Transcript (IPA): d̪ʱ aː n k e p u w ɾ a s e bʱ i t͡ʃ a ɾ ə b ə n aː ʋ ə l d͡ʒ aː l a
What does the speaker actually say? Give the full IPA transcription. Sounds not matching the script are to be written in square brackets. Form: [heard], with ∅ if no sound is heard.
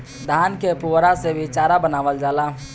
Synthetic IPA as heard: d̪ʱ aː n k e p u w ɾ a s e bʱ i t͡ʃ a ɾ [a] b ə n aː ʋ ə l d͡ʒ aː l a